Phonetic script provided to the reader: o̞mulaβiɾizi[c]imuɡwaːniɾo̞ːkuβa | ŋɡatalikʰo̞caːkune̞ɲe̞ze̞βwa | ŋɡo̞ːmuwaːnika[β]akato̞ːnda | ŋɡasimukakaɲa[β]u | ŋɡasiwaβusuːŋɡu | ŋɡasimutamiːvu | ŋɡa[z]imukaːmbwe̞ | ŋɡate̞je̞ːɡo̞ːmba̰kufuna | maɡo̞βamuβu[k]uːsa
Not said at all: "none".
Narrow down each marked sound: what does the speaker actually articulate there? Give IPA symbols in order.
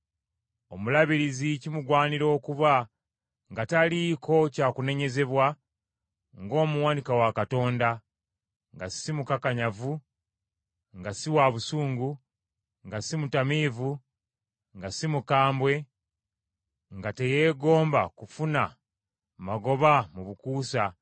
c, w, v, s, k

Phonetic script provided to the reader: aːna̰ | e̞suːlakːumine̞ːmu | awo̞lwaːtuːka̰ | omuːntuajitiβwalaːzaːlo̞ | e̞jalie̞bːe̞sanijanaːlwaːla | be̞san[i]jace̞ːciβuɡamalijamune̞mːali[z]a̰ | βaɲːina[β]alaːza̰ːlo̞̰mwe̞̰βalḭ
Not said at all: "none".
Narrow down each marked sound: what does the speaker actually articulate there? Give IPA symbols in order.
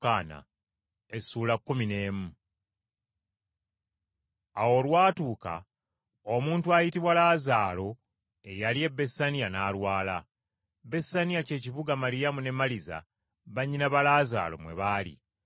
i, z, β

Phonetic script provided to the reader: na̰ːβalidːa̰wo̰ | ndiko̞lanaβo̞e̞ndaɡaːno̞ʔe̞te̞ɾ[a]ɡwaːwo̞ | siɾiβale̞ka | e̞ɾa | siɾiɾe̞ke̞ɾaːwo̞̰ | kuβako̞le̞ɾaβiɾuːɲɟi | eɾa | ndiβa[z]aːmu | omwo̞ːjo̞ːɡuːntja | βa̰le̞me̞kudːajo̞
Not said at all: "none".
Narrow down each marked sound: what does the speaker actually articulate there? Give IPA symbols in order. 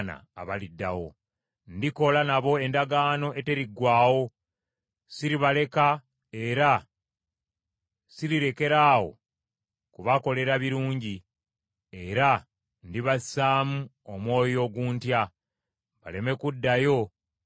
i, s

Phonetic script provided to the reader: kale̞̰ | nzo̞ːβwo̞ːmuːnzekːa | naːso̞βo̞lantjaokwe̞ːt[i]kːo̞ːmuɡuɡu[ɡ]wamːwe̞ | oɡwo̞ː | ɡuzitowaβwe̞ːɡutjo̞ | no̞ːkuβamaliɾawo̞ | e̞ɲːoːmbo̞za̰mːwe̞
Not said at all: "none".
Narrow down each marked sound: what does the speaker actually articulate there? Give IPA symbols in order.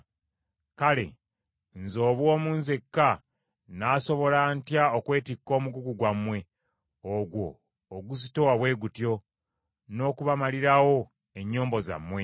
i, ɡ

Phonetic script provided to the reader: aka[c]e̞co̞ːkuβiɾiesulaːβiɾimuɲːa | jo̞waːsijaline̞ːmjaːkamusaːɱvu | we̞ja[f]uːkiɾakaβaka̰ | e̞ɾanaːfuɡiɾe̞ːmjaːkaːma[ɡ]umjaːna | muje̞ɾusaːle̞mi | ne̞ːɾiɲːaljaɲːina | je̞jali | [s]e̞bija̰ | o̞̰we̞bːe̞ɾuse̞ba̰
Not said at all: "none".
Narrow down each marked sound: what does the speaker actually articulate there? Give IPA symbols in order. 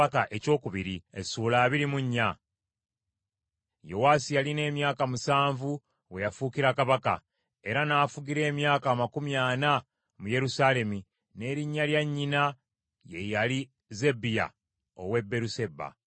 ʔ, f, k, z

